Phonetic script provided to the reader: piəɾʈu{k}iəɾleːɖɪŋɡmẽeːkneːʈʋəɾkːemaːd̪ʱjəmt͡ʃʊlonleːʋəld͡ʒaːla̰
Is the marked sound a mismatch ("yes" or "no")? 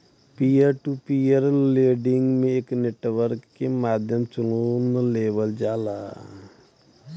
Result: yes